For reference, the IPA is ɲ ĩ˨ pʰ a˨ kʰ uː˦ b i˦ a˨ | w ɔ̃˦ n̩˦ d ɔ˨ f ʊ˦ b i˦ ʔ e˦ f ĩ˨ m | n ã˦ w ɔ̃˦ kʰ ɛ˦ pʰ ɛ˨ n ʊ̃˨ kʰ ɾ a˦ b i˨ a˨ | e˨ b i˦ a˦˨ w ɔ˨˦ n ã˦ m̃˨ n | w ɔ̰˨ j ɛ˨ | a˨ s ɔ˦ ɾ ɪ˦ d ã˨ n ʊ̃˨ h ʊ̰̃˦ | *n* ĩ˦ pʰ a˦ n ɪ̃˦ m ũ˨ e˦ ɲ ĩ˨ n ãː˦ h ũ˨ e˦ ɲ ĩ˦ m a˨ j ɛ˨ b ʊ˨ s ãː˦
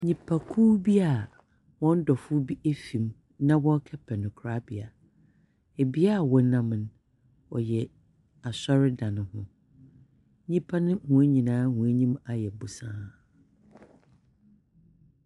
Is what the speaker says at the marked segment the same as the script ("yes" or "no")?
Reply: no